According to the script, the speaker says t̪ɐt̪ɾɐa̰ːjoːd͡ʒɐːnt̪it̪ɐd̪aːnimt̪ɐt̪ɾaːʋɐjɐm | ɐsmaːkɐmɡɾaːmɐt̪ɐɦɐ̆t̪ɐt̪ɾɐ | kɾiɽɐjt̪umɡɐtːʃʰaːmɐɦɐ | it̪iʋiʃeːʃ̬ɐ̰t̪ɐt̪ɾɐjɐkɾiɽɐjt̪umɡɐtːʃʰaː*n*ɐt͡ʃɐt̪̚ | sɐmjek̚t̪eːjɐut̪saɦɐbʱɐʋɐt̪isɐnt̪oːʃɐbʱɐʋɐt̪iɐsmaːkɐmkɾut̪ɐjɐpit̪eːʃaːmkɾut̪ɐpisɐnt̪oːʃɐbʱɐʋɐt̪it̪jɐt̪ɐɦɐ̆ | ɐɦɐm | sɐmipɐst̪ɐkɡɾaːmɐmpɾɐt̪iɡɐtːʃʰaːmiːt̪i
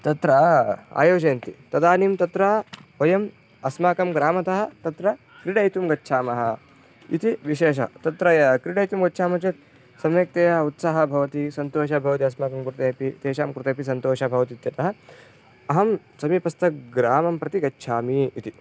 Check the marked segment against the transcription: incorrect: m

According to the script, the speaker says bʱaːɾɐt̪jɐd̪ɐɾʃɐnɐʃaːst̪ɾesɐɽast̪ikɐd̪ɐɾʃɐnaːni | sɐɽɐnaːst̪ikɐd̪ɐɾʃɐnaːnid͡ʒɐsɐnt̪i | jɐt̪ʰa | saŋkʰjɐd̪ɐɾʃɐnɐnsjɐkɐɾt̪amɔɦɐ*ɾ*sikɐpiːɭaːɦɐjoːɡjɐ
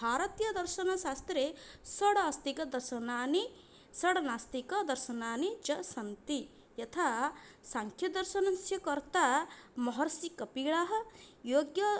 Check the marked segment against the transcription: correct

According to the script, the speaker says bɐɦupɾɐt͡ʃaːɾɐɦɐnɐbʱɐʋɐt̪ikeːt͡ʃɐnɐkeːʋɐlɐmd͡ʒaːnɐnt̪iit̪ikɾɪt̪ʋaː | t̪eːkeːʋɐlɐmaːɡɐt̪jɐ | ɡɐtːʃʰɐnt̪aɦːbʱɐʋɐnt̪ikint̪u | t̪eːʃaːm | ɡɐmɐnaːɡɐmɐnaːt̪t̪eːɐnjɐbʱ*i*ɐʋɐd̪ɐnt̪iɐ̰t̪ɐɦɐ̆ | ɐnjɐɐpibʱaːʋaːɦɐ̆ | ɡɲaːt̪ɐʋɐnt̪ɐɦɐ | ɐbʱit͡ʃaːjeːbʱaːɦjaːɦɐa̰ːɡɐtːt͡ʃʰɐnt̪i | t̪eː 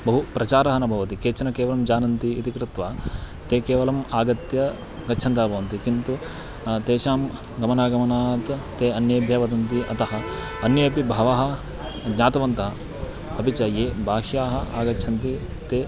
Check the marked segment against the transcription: incorrect: j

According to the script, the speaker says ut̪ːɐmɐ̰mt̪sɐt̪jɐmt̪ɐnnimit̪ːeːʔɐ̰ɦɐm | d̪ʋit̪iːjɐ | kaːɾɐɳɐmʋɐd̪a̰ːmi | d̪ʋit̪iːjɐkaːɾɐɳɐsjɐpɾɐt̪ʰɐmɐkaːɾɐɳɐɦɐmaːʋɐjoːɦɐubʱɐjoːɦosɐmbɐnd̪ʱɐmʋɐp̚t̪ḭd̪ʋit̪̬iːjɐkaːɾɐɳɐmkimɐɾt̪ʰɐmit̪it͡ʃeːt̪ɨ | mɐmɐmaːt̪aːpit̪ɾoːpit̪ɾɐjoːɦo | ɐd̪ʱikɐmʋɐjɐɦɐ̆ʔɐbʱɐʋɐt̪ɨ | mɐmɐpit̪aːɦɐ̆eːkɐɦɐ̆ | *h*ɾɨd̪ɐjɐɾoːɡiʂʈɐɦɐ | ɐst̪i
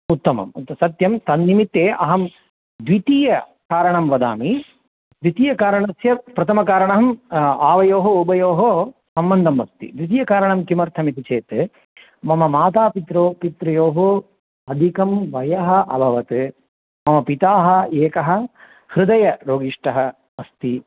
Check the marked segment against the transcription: correct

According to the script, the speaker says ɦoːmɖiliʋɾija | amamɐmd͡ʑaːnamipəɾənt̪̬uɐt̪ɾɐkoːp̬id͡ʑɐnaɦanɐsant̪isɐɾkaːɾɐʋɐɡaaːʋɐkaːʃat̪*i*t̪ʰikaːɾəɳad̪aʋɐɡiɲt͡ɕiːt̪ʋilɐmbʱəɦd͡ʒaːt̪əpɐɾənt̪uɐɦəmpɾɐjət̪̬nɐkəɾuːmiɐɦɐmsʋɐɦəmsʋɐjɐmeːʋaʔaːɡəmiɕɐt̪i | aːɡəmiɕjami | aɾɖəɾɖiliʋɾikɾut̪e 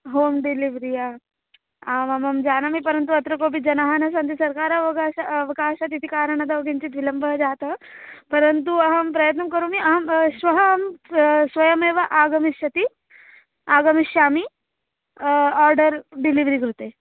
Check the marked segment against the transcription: correct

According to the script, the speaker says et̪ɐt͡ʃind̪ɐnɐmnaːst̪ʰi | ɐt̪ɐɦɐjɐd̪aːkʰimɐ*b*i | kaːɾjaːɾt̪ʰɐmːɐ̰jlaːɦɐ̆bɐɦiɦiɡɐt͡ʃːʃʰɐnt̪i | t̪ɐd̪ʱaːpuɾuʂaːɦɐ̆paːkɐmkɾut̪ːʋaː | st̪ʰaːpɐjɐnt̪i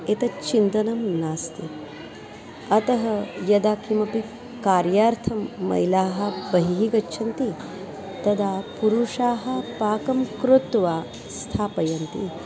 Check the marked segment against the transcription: incorrect: p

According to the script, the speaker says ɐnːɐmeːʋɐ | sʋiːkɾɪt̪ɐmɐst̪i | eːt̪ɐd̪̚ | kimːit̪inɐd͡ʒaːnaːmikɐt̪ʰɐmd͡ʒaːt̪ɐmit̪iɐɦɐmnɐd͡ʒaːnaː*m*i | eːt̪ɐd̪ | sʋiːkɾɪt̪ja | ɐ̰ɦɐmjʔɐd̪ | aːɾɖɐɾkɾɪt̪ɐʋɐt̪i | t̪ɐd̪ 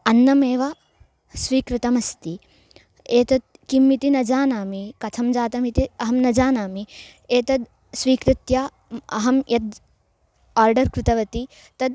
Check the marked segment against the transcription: correct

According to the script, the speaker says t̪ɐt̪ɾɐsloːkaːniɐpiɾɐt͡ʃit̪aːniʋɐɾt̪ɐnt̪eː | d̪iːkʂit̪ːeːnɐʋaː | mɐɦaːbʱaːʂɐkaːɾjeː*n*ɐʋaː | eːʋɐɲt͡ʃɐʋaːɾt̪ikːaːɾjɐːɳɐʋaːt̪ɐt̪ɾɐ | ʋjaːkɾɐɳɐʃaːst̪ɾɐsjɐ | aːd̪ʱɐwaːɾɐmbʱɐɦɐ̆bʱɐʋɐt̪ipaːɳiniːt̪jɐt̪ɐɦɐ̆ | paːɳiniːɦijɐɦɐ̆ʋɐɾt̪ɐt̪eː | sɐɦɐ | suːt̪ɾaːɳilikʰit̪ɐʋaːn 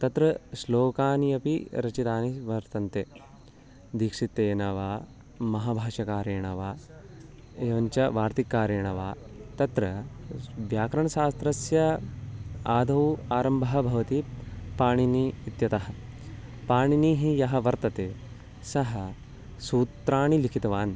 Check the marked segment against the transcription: incorrect: ɳ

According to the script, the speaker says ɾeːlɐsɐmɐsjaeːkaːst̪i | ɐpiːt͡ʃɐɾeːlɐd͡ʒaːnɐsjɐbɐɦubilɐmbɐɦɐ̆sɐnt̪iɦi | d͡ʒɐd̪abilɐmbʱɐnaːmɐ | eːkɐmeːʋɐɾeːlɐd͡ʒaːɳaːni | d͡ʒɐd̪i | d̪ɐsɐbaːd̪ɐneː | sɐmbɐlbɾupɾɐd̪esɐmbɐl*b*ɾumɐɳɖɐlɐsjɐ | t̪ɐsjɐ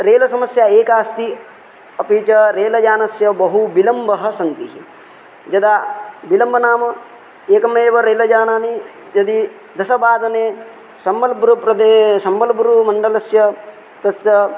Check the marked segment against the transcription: correct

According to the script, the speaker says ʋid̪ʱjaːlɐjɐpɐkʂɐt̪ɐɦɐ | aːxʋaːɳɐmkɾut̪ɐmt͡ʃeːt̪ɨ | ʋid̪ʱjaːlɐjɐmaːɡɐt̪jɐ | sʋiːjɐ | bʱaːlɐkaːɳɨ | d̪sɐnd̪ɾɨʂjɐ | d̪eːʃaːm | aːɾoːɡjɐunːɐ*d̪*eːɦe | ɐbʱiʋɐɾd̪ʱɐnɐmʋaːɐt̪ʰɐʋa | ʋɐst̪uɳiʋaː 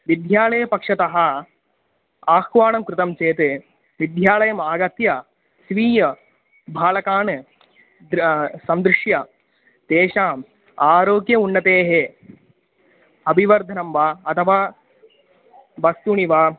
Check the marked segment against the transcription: incorrect: t̪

